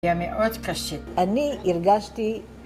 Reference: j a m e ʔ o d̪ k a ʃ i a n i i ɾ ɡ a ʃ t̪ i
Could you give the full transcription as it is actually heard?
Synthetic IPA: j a m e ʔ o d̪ k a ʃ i a n i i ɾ ɡ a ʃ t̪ i